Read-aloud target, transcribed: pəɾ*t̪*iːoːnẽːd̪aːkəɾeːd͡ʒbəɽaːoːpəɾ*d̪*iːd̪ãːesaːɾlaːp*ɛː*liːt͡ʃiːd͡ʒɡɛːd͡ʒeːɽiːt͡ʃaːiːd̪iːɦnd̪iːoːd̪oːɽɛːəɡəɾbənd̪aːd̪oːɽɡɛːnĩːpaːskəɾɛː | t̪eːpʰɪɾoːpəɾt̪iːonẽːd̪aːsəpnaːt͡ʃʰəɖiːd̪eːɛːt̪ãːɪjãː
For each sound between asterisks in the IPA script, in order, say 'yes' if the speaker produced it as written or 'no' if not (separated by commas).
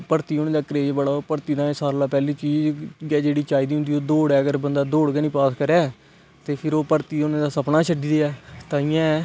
yes, no, yes